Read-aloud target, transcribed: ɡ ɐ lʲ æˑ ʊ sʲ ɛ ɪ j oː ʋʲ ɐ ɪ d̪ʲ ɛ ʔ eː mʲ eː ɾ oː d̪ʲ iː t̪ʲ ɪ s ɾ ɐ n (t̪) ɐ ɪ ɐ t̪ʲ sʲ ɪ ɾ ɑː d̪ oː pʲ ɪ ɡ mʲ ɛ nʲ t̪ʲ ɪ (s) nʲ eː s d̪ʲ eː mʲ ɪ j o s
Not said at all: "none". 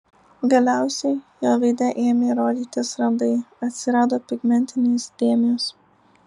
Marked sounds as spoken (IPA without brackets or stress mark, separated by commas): d̪, none